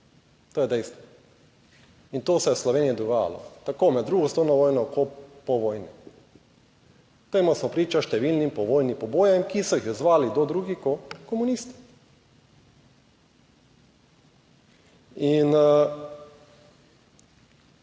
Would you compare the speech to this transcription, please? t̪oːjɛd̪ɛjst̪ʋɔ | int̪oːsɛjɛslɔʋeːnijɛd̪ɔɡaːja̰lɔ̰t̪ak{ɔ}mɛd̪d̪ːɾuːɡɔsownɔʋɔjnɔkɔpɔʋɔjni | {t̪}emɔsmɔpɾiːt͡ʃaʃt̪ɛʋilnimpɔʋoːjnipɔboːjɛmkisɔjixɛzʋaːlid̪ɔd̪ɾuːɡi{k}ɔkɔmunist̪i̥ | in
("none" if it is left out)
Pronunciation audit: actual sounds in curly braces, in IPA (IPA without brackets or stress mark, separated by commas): o, t̪, k